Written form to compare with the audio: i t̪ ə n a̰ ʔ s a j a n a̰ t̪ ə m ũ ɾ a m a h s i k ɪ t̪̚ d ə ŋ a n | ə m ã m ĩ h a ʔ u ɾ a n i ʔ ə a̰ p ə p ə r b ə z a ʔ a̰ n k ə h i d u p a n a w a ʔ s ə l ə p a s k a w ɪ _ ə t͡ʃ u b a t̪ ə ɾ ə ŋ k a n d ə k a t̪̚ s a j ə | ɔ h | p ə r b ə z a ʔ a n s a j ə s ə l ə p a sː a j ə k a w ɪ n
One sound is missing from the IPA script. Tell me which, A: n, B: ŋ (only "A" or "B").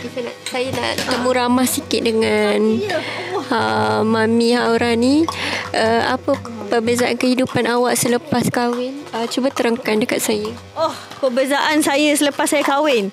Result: A